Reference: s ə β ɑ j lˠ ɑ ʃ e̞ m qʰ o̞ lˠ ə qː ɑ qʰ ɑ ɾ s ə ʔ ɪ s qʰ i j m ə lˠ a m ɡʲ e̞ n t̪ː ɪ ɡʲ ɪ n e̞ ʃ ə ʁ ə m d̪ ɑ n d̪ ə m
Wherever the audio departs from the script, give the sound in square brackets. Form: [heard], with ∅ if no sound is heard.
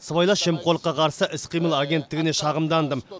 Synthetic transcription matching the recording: s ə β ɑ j lˠ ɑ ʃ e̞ m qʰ o̞ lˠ ə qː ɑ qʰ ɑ ɾ s ə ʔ ɪ s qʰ i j m ə lˠ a [∅] ɡʲ e̞ n t̪ː ɪ ɡʲ ɪ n e̞ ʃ [ɑ] ʁ ə m d̪ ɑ n d̪ ə m